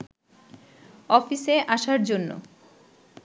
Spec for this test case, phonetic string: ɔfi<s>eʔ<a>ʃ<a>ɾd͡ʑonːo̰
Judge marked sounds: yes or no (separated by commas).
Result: yes, yes, yes